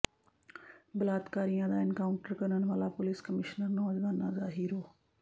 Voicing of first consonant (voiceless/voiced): voiced